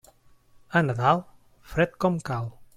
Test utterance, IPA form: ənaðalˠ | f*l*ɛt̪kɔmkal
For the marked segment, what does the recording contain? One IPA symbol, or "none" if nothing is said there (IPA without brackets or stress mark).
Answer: ɾ